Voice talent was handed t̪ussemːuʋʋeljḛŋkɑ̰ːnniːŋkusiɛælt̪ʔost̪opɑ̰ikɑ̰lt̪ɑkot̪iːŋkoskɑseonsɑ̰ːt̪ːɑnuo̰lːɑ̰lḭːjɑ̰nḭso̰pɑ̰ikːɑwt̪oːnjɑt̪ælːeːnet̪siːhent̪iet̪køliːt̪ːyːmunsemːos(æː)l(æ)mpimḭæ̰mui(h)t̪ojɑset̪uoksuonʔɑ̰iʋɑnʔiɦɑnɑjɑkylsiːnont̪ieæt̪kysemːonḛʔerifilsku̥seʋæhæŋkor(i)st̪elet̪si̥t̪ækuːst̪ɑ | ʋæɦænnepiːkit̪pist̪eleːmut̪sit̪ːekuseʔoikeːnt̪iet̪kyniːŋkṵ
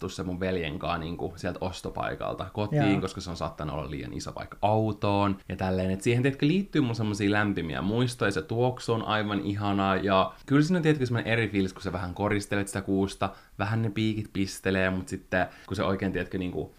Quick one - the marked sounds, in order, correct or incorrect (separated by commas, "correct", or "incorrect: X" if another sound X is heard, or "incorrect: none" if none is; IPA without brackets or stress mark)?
incorrect: iː, correct, incorrect: s, correct